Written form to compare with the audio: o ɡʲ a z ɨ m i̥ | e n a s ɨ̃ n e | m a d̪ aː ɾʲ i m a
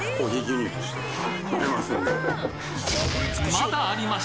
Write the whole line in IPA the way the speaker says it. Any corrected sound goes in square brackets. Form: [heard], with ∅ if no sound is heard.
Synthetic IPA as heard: o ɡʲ [i] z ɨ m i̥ | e [m] a s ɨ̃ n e | m a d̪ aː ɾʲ i m a